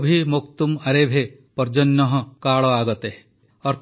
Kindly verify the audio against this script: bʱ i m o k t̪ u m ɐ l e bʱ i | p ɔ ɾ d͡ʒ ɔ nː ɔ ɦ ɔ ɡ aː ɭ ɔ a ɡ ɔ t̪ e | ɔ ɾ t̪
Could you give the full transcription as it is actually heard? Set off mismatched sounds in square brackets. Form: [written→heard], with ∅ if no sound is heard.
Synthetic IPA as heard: bʱ i m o k t̪ u m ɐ [l→ɾ] e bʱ [i→e] | p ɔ ɾ d͡ʒ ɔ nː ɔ ɦ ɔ [ɡ→k] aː ɭ ɔ a ɡ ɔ t̪ e | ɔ ɾ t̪